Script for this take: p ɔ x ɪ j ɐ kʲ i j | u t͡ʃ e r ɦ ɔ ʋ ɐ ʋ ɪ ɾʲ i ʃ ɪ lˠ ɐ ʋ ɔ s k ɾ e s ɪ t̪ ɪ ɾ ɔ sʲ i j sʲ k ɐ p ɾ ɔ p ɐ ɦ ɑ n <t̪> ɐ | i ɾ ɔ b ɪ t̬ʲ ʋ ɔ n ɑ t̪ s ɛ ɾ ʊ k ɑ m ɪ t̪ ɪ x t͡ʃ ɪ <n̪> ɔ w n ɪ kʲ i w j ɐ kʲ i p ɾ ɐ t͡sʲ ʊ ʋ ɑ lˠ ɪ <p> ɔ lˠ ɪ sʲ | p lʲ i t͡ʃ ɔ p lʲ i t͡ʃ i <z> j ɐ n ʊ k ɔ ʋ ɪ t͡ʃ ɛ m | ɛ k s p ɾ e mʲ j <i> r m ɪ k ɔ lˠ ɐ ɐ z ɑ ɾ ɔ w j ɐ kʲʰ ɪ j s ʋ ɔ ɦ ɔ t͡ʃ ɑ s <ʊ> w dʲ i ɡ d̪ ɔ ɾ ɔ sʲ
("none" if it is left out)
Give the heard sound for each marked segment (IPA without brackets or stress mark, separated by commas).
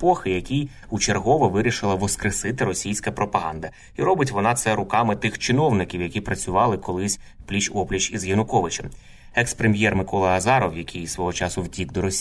d̪, n̪, k, z, ɛ, ʊ